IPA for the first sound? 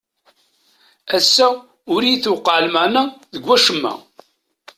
æ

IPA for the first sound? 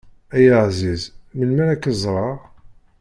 æ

